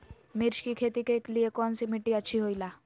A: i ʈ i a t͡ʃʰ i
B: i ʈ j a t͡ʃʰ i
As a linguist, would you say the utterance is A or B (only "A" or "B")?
A